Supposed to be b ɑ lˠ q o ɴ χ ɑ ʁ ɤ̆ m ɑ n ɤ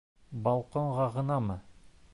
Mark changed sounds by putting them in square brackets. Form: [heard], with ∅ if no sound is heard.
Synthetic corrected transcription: b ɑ lˠ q o ɴ [ʁ] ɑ ʁ ɤ̆ [n] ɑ [m] ɤ